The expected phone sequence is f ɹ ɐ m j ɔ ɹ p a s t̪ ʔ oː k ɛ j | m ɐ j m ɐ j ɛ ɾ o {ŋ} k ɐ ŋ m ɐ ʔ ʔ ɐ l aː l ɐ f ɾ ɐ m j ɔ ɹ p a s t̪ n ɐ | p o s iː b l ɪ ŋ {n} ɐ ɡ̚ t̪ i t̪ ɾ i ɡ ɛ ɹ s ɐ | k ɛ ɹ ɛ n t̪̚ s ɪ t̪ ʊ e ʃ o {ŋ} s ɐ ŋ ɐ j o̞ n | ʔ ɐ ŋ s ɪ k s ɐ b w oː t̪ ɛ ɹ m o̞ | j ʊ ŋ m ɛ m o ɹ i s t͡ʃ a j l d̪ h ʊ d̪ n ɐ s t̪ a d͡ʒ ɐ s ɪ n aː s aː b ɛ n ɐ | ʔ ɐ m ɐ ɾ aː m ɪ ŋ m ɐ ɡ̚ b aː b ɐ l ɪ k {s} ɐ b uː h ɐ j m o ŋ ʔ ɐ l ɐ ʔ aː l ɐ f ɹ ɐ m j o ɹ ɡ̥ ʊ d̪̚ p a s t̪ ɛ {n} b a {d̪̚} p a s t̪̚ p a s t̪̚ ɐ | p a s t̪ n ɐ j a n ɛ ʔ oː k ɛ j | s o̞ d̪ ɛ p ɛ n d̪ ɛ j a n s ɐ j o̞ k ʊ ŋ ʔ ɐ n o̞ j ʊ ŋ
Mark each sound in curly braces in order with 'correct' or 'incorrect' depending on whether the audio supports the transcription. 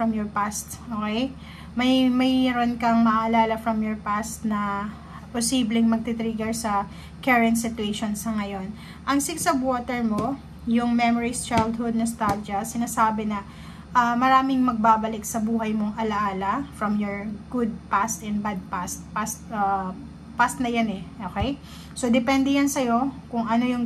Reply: incorrect: n, incorrect: m, incorrect: n, correct, correct, correct

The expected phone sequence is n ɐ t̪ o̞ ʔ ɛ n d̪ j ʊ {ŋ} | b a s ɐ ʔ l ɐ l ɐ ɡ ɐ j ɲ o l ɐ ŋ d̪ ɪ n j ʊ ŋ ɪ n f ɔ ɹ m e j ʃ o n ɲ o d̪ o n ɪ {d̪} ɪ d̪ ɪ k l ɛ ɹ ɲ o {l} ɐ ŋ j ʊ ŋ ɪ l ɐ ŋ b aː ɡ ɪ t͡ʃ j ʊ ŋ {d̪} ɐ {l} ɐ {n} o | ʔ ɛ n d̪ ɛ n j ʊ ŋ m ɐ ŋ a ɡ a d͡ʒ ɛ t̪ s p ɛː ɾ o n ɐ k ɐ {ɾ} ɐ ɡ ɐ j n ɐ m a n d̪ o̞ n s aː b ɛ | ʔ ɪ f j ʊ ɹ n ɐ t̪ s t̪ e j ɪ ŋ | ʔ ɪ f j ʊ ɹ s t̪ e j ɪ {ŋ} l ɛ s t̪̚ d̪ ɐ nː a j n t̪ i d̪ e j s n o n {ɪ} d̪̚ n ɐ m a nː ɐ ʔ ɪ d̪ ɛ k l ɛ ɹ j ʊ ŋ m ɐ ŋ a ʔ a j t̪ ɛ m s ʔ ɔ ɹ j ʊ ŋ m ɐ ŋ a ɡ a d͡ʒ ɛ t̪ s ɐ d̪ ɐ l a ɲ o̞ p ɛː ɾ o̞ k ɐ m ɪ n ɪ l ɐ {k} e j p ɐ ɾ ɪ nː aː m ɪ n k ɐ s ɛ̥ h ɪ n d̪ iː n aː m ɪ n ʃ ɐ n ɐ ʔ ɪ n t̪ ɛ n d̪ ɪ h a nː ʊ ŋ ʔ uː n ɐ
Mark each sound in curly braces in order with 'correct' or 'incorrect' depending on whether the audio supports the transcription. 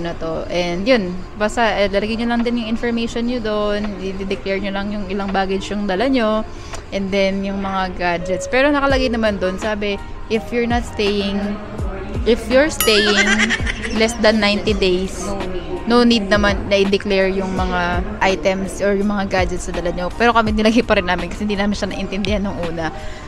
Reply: incorrect: n, correct, correct, correct, correct, incorrect: ɲ, incorrect: l, correct, incorrect: i, incorrect: ɡ

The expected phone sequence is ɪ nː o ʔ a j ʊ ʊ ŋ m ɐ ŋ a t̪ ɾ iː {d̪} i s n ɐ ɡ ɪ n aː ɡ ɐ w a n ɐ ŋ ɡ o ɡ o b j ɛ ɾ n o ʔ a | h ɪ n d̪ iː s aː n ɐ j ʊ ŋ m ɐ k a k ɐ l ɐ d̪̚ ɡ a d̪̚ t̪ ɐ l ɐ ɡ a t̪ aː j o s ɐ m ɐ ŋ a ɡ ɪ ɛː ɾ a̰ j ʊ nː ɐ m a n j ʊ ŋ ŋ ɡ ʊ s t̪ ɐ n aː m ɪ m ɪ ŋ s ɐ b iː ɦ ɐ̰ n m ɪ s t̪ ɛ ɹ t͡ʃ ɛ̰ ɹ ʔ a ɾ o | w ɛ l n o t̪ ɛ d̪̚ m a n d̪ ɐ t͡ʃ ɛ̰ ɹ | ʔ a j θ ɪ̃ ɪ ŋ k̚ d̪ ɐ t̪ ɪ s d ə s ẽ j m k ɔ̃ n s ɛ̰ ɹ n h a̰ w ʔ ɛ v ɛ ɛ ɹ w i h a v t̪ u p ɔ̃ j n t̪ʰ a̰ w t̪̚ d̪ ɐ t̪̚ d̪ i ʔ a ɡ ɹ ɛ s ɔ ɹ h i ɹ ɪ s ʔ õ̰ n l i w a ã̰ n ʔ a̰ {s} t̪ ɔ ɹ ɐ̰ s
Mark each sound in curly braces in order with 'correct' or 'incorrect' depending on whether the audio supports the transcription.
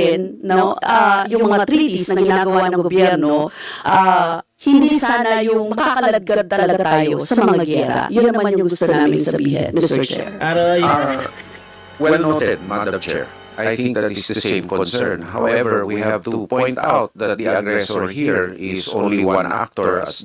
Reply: incorrect: t̪, incorrect: f

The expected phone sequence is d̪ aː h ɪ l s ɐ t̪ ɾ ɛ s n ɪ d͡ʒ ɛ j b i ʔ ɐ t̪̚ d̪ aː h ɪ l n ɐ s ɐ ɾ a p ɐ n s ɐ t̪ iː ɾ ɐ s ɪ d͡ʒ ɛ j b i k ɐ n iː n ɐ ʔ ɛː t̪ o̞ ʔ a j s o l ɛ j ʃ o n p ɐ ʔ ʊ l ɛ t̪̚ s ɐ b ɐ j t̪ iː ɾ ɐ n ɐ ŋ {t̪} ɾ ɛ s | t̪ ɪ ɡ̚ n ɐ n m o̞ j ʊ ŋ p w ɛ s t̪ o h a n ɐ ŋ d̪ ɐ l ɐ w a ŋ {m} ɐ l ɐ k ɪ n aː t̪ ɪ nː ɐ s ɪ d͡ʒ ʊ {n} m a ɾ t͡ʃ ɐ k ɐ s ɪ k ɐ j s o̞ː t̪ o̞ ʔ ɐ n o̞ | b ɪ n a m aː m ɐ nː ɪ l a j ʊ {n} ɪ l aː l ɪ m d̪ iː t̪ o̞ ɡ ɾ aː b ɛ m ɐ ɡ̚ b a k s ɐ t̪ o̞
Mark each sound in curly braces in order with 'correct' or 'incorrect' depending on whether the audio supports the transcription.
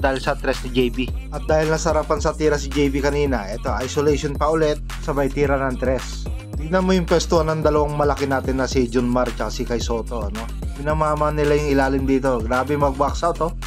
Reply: correct, correct, correct, incorrect: ŋ

